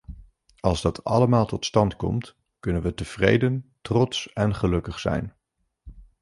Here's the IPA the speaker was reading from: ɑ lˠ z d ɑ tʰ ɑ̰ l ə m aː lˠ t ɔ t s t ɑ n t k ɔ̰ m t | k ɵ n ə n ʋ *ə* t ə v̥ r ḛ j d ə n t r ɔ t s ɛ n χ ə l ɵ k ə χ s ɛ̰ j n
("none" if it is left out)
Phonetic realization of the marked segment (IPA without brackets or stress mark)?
ə